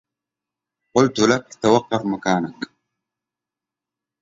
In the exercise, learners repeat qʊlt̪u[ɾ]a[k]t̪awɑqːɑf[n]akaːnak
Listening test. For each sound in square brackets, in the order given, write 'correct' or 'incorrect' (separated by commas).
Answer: incorrect, correct, incorrect